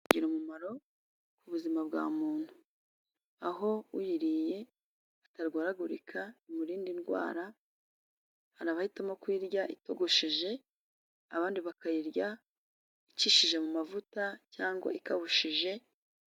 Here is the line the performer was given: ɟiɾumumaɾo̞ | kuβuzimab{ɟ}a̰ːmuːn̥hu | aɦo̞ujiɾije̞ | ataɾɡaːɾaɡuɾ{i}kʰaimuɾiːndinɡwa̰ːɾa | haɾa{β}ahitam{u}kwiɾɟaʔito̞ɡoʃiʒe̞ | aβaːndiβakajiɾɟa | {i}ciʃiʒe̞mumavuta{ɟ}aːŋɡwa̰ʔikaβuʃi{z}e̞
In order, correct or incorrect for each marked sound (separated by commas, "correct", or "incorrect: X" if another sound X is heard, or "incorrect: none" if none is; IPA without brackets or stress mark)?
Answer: incorrect: ɡ, correct, correct, incorrect: o, correct, incorrect: c, incorrect: ʒ